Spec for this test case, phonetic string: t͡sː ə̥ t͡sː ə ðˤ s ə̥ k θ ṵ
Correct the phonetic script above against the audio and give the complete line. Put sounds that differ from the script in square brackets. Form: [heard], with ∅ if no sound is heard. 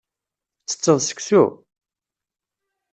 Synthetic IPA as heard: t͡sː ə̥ t͡sː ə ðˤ s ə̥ k [s] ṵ